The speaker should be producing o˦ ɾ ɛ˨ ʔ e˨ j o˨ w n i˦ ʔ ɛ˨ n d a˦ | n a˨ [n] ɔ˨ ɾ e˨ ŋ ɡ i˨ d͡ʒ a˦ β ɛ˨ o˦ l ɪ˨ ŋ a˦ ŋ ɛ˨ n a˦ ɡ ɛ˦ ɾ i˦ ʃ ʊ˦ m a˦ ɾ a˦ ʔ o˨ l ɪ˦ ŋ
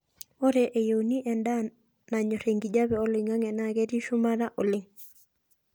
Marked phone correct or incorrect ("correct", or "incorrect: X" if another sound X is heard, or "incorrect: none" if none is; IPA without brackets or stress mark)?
incorrect: ɲ